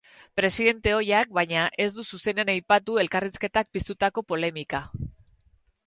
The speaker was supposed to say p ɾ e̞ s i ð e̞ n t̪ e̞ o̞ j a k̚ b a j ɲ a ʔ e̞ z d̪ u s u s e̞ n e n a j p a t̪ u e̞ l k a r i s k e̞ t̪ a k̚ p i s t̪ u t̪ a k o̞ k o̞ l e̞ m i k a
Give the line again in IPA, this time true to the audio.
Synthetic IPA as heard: p ɾ e̞ s i ð e̞ n t̪ e̞ o̞ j a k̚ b a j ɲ a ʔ e̞ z d̪ u s u s e̞ n e n a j p a t̪ u e̞ l k a r i s k e̞ t̪ a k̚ p i s t̪ u t̪ a k o̞ p o̞ l e̞ m i k a